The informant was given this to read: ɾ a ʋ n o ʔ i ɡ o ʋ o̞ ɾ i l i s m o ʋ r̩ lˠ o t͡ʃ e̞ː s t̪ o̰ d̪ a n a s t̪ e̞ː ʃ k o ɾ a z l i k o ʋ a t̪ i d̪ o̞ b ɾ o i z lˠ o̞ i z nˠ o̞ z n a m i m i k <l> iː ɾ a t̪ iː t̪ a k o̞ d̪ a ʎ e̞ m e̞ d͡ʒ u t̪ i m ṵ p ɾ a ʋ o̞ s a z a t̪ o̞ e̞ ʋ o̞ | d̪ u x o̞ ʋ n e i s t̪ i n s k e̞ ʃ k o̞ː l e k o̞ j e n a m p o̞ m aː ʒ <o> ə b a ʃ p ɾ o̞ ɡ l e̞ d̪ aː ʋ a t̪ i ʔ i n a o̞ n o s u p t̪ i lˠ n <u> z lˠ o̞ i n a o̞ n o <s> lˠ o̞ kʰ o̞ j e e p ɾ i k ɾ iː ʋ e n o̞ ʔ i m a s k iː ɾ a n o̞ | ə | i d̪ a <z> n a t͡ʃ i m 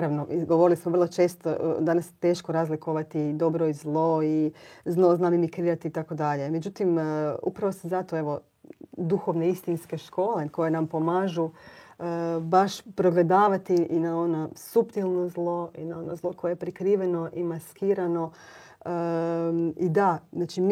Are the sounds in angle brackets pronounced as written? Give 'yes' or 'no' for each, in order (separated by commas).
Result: no, no, no, no, yes